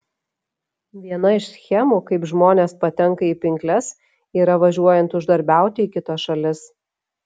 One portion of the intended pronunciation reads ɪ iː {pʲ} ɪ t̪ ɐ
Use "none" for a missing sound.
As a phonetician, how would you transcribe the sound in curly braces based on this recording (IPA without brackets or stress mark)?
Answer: kʲ